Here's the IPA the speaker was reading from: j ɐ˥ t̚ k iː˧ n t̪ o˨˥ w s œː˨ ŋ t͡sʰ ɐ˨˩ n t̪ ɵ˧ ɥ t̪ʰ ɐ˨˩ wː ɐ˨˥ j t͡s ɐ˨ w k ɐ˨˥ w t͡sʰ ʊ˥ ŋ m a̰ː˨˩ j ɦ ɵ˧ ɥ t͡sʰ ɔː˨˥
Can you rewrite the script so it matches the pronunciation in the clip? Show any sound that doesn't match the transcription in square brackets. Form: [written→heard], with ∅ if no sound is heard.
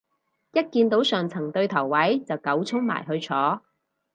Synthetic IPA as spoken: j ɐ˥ t̚ k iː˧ n t̪ o˨˥ w s œː˨ ŋ t͡sʰ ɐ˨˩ [n→ŋ] t̪ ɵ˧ ɥ t̪ʰ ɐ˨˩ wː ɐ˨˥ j t͡s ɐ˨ w k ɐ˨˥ w t͡sʰ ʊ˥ ŋ m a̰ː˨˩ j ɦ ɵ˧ ɥ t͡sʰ ɔː˨˥